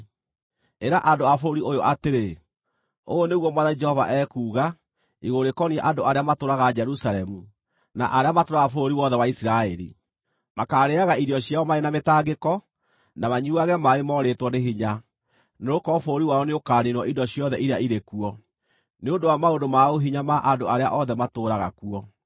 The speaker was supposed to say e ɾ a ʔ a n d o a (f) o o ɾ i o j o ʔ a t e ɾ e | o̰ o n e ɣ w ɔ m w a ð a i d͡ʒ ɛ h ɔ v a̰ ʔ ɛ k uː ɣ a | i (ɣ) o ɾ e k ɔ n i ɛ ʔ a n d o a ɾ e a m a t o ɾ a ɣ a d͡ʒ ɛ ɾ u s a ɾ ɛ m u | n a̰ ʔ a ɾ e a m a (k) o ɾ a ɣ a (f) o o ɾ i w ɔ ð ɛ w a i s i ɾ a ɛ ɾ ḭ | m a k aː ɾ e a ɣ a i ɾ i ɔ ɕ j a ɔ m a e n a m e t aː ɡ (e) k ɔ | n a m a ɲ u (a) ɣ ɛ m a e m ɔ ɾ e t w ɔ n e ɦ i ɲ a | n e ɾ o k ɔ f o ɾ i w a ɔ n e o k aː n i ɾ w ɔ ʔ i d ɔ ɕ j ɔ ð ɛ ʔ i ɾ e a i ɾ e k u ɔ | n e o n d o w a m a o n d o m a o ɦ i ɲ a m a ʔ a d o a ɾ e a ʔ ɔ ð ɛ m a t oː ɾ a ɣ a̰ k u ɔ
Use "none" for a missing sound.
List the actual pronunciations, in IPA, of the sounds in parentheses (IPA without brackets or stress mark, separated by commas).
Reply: f, ɣ, t, f, e, a